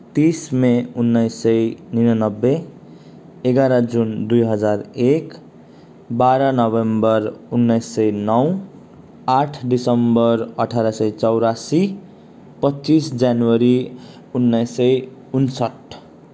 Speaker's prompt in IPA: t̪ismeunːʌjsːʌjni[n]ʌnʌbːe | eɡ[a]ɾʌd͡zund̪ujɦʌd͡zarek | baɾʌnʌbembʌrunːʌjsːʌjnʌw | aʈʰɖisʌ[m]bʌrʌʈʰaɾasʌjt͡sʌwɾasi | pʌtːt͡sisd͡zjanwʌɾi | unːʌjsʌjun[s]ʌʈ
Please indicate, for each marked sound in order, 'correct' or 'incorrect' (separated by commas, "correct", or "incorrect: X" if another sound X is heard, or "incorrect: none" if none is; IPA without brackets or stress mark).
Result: correct, correct, correct, correct